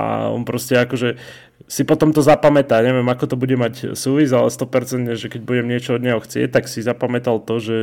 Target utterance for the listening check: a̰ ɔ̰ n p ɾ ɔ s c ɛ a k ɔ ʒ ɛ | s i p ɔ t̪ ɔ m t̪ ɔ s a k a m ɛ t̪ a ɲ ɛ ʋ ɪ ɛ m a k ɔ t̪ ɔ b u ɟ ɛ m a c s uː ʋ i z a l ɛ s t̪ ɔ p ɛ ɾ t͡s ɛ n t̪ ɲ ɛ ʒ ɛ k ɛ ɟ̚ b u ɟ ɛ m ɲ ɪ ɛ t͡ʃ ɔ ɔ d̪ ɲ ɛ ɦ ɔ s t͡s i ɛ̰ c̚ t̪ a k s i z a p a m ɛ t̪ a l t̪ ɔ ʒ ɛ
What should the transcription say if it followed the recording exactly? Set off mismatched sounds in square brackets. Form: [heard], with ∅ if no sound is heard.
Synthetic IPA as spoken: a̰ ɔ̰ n p ɾ ɔ s c ɛ a k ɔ ʒ ɛ | s i p ɔ t̪ ɔ m t̪ ɔ [z] a [p] a m ɛ t̪ a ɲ ɛ ʋ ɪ ɛ m a k ɔ t̪ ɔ b u ɟ ɛ m a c s uː ʋ i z a l ɛ s t̪ ɔ p ɛ ɾ t͡s ɛ n t̪ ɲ ɛ ʒ ɛ k ɛ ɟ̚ b u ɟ ɛ m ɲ ɪ ɛ t͡ʃ ɔ ɔ d̪ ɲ ɛ ɦ ɔ [x] t͡s [ɪ] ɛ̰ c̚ t̪ a k s i z a p a m ɛ t̪ a l t̪ ɔ ʒ ɛ